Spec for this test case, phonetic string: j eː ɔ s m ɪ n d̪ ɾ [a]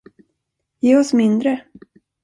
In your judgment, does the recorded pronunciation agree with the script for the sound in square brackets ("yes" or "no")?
no